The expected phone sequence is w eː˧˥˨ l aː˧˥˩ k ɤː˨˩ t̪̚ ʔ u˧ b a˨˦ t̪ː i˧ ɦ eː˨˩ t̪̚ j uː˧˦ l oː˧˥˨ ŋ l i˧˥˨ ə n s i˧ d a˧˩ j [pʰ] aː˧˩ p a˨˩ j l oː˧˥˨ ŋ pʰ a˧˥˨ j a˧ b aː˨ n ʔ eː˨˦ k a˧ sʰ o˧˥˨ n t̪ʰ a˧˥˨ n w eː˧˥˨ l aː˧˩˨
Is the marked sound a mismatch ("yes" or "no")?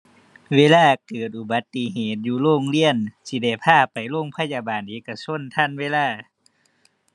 no